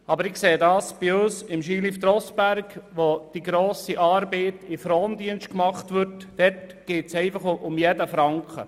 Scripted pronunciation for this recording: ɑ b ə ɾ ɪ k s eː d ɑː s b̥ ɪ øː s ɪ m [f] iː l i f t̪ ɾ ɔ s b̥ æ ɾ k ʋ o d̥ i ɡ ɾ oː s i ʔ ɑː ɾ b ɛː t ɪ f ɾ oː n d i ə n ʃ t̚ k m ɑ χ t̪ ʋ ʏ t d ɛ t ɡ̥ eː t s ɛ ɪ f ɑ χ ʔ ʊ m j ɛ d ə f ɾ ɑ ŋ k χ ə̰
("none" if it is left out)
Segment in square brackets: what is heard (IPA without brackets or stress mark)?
ʃ